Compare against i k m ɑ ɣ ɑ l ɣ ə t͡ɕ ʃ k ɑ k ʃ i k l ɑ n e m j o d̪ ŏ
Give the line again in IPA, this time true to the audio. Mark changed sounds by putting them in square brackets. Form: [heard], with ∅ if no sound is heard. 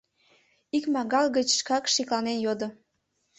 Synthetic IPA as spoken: i k m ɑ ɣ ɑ l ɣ ə t͡ɕ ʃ k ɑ k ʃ i k l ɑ n e [n] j o d̪ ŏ